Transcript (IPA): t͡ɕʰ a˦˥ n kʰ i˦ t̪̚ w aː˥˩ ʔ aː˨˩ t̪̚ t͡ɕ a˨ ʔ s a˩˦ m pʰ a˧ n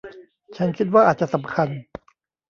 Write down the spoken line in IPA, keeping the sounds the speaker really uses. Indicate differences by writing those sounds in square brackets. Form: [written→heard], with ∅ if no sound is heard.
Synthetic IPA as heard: t͡ɕʰ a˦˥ n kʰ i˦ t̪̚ w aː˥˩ ʔ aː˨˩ t̪̚ t͡ɕ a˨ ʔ s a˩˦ m [pʰ→kʰ] a˧ n